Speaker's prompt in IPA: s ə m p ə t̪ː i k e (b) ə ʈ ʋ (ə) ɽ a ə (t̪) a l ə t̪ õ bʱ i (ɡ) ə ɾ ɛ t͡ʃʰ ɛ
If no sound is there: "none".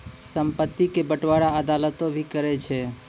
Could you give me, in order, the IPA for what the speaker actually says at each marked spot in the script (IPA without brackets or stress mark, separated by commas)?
b, a, d̪, k